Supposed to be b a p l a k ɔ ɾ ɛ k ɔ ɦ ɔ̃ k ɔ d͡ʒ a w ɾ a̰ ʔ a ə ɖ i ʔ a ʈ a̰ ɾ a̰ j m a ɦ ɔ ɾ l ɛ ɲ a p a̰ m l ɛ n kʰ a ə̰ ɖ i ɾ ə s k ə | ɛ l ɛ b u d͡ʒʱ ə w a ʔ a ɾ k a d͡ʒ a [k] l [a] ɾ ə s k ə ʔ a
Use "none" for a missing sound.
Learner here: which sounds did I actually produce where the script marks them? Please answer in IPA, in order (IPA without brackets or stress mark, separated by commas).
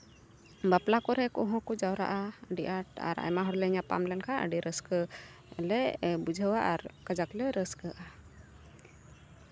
k, ɛ